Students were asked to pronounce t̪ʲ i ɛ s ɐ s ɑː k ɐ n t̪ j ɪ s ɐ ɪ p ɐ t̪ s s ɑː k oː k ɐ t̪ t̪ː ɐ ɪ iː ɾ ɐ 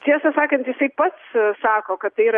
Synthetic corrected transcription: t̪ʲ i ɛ s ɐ s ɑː k ɐ n t̪ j ɪ s ɐ ɪ p ɐ t̪ s s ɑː k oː k ɐ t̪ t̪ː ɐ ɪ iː ɾ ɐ